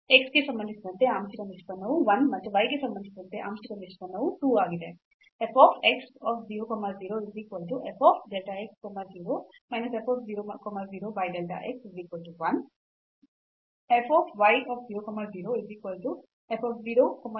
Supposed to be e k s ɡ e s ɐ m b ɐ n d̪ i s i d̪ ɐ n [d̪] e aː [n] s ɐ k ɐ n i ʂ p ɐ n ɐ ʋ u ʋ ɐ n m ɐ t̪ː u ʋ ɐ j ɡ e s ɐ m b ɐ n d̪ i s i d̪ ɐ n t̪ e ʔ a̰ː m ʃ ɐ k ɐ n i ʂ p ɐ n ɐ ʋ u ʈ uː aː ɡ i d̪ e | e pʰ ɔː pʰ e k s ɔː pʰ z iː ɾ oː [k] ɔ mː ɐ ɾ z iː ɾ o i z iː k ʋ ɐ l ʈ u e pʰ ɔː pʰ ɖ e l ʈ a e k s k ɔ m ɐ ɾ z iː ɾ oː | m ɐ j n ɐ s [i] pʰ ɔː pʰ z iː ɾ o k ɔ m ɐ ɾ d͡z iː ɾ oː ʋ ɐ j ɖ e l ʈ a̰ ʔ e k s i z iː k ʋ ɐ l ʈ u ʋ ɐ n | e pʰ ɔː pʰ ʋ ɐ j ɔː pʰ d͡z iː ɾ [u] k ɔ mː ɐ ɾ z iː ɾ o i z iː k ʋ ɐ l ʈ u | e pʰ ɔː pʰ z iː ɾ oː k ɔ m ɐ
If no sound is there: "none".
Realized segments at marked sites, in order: t̪, m, k, e, o

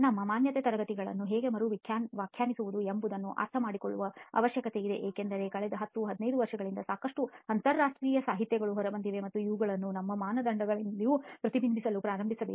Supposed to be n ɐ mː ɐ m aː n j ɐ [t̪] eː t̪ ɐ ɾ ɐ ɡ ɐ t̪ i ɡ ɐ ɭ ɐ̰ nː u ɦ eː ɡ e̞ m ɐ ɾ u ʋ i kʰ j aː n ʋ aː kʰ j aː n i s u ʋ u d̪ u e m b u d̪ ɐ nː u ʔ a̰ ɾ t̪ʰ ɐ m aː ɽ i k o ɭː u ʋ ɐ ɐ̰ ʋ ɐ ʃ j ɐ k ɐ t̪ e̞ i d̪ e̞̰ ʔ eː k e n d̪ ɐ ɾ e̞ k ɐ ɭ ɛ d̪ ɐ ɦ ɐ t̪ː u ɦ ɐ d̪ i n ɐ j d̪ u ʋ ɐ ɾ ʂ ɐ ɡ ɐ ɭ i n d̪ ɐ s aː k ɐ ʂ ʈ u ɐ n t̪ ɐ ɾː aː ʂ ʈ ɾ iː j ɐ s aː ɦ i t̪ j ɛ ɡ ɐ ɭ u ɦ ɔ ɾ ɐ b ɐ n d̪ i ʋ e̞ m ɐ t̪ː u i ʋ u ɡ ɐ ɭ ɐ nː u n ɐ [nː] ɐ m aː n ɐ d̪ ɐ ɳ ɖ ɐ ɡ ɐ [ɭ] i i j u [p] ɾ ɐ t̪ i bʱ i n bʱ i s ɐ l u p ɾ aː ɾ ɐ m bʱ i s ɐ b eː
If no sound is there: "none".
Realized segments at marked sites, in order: t̪, mː, ɭ, p

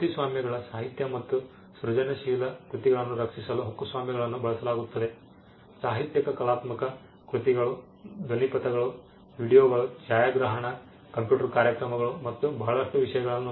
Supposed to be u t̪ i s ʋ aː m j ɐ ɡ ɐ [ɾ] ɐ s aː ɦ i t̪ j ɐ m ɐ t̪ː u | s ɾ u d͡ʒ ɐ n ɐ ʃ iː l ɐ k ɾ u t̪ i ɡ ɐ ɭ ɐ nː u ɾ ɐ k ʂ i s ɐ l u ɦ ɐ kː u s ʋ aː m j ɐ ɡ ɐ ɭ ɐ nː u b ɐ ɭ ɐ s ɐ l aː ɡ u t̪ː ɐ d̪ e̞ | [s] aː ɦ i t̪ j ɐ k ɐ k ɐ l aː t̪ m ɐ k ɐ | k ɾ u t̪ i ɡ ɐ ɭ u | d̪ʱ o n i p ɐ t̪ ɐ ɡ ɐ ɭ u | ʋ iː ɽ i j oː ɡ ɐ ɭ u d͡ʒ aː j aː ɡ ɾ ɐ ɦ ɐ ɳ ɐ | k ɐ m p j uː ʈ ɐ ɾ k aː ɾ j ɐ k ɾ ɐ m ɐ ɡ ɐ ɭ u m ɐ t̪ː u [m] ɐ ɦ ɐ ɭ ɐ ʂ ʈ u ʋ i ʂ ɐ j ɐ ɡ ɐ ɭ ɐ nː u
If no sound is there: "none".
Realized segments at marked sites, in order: ɭ, s, b

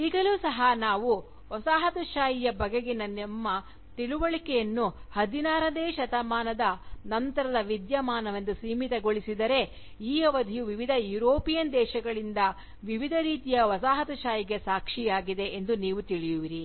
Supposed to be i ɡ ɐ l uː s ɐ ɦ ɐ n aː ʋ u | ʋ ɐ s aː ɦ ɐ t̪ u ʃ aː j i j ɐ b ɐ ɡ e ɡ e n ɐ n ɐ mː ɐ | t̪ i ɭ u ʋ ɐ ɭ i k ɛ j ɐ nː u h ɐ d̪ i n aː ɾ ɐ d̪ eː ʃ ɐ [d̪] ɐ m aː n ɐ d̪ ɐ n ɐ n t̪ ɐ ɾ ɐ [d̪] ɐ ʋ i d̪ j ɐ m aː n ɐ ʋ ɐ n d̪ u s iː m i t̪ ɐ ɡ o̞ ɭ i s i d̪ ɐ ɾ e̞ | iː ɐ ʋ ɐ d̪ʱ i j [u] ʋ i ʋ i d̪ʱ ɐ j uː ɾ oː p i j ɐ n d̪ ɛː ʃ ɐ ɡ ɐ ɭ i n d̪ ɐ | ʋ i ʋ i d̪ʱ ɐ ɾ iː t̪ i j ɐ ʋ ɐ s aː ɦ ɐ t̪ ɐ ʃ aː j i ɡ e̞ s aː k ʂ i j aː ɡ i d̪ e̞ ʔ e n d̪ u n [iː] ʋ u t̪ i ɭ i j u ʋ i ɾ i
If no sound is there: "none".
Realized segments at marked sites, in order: t̪, d̪, u, iː

